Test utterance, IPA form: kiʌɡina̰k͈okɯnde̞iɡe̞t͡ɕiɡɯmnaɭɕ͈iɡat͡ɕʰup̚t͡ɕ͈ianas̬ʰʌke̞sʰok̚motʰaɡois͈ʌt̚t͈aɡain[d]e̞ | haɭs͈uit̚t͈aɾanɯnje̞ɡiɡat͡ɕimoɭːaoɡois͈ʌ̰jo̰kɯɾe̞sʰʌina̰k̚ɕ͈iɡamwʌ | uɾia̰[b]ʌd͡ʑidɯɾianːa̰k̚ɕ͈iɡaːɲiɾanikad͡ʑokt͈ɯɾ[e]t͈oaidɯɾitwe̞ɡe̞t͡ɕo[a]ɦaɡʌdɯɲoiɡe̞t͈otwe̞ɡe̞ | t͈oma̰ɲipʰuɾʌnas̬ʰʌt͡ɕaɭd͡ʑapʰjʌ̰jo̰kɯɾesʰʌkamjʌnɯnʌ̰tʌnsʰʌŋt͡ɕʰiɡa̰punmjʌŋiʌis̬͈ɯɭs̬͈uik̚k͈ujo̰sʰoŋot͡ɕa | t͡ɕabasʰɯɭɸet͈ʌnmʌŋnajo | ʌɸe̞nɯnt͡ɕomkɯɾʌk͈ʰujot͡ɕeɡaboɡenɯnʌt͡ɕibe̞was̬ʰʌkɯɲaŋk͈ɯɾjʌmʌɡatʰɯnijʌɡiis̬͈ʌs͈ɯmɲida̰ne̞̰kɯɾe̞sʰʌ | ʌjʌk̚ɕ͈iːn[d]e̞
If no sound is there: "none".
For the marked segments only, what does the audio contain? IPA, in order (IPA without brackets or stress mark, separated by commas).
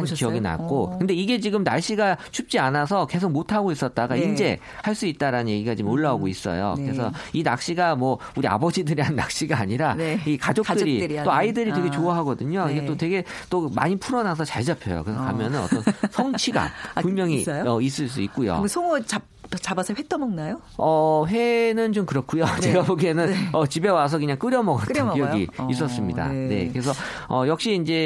d͡ʑ, b, i, a, d͡ʑ